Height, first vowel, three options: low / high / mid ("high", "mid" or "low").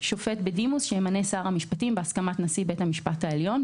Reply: mid